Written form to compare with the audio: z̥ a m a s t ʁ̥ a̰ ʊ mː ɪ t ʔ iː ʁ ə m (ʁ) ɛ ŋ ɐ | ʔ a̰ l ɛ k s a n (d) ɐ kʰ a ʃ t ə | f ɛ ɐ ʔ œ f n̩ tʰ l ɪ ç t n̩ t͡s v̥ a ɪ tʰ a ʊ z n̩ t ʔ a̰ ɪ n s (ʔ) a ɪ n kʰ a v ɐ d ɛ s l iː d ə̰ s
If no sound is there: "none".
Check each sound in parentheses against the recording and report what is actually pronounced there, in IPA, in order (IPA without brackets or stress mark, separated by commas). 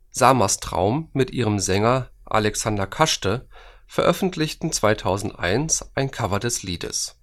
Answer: z, d, ʔ